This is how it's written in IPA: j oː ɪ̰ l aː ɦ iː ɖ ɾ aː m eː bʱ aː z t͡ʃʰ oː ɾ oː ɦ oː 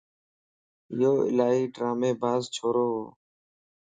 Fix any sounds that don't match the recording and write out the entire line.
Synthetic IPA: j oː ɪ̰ l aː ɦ iː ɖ ɾ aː m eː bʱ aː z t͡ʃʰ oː ɾ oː ɦ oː